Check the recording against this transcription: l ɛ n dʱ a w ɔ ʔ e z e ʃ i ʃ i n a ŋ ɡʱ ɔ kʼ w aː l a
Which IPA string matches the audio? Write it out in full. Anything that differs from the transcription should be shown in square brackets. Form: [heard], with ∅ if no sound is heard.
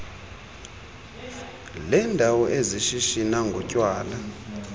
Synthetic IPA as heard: l ɛ n dʱ a w ɔ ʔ e z [i] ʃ i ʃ i n a ŋ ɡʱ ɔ [cʼ] w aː l a